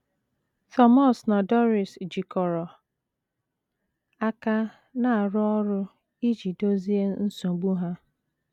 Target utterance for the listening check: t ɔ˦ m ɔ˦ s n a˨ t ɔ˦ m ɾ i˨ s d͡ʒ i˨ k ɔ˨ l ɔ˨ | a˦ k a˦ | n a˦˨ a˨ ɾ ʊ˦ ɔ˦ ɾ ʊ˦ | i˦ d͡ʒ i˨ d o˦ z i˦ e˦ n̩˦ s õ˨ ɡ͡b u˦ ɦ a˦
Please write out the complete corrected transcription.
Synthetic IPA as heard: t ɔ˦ m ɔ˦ s n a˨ d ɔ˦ ɾ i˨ s d͡ʒ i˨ k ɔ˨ ɾ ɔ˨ | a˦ k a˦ | n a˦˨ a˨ ɾ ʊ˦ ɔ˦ ɾ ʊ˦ | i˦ d͡ʒ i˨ d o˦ z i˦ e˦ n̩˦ s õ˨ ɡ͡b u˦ ɦ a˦